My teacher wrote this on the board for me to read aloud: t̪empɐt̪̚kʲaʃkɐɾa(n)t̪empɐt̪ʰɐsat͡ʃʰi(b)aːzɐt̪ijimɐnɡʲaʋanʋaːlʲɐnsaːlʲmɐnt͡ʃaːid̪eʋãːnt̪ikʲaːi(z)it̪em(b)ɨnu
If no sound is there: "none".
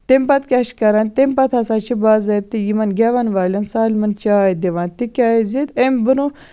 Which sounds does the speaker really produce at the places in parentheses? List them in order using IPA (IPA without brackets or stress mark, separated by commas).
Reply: n, b, z, b